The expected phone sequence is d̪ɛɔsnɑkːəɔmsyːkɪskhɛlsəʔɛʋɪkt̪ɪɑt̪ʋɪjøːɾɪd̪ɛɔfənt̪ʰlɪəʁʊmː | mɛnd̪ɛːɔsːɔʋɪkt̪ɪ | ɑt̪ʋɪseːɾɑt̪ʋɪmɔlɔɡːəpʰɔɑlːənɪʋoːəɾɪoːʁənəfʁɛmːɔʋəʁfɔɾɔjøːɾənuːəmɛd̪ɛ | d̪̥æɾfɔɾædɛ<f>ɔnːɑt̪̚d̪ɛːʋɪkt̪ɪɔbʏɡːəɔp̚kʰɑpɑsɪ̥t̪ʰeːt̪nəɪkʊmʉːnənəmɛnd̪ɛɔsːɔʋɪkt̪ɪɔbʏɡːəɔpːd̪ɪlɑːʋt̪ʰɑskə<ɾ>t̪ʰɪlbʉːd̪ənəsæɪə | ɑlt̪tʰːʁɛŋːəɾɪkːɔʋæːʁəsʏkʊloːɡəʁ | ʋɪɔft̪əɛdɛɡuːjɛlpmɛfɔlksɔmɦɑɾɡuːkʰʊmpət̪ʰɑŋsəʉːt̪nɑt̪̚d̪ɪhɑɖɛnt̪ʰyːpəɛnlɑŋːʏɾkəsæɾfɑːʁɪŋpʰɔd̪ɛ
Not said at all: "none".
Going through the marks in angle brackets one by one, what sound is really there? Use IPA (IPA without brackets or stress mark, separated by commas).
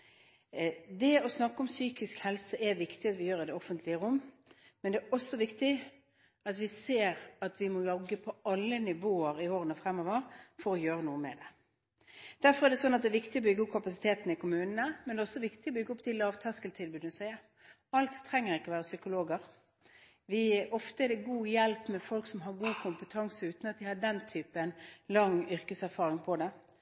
s, l